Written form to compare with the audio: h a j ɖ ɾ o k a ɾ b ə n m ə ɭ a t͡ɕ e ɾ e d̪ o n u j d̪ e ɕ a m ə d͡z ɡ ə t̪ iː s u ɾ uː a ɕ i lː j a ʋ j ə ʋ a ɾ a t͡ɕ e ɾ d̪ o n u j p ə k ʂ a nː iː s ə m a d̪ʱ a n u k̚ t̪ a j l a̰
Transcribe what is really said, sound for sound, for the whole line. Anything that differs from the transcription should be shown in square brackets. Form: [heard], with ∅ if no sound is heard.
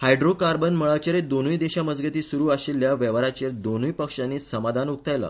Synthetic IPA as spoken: h a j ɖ ɾ o k a ɾ b ə n m ə ɭ a t͡ɕ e ɾ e d̪ o n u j d̪ e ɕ a m ə d͡z ɡ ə t̪ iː s u ɾ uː a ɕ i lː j a ʋ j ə ʋ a ɾ a t͡ɕ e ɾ d̪ o n u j p ə k ʂ a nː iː s ə m a d̪ʱ a n u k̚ t̪ a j l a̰